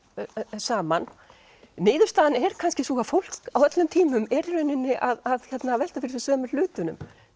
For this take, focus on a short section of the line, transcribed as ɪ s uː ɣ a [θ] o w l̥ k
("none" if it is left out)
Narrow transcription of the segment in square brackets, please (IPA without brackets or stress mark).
f